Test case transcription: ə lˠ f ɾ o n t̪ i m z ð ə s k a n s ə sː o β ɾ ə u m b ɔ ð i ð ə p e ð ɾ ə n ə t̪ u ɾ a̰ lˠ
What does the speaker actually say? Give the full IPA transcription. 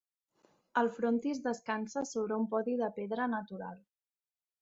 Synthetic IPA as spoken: ə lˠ f ɾ o n t̪ i z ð ə s k a n s ə s o β ɾ ə u m p ɔ ð i ð ə p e ð ɾ ə n ə t̪ u ɾ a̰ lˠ